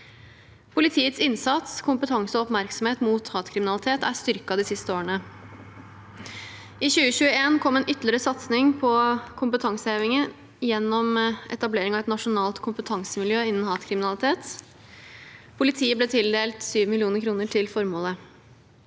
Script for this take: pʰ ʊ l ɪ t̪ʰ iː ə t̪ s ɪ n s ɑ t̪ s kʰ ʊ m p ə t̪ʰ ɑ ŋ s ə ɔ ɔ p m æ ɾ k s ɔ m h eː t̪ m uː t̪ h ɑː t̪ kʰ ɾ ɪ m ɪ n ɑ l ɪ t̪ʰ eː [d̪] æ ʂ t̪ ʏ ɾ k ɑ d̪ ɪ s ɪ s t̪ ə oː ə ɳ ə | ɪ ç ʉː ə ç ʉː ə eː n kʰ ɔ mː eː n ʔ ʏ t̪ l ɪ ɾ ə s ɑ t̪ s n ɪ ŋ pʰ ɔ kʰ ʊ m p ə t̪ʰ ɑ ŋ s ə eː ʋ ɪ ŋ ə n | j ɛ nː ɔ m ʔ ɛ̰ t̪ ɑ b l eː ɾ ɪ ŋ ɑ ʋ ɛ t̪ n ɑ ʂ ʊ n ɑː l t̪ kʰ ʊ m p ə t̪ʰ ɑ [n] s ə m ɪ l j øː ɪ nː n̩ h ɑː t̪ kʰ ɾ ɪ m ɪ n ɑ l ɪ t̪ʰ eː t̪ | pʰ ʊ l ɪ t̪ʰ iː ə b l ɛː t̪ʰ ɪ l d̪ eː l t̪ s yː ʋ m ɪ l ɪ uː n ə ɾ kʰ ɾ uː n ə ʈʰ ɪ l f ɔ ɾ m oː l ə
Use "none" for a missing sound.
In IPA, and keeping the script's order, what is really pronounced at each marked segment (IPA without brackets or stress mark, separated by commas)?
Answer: t̪, ŋ